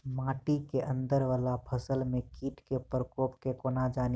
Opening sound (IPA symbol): m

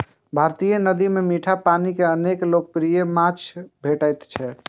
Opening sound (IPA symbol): bʱ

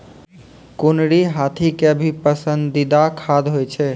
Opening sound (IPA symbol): k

